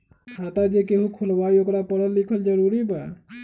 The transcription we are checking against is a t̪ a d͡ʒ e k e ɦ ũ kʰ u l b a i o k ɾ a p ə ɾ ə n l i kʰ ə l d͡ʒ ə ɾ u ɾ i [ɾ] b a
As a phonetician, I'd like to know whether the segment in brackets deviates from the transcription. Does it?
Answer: yes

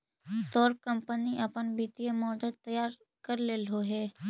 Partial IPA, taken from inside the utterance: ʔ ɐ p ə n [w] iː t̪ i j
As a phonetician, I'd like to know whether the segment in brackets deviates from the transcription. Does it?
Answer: yes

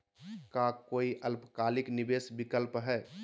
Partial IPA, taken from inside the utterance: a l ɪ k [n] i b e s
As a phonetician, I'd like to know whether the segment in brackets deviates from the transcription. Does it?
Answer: no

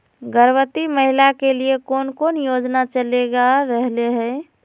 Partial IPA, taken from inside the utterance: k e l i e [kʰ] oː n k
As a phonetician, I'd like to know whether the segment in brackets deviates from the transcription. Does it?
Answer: yes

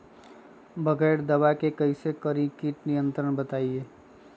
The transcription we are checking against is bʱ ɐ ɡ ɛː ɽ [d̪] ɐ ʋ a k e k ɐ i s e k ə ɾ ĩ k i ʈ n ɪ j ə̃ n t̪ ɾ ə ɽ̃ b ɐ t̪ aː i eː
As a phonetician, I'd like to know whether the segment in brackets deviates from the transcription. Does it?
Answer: no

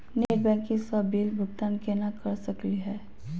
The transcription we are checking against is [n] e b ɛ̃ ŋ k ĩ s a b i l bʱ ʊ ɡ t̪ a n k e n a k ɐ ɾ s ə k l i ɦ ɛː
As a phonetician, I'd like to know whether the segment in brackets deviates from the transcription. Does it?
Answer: no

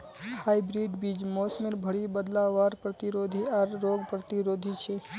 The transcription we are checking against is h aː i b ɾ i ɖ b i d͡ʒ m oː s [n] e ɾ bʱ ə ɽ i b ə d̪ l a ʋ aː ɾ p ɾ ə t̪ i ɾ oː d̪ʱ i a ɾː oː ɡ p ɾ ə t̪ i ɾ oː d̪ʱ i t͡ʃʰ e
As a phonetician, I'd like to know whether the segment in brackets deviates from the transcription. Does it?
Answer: yes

